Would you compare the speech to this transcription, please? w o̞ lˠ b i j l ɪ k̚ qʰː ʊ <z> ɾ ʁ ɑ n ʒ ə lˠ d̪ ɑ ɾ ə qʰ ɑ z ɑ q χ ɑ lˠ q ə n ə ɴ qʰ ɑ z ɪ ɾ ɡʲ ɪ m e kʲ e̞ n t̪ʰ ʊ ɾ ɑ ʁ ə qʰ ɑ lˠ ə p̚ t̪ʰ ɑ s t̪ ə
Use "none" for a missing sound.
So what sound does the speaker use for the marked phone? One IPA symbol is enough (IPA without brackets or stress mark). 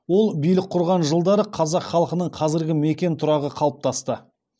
none